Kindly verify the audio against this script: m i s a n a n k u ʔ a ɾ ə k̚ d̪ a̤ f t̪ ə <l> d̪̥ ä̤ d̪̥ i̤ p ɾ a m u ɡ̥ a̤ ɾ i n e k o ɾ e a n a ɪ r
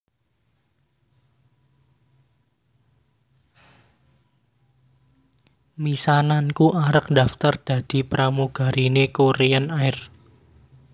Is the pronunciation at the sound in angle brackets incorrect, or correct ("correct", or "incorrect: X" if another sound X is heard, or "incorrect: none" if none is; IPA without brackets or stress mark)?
incorrect: r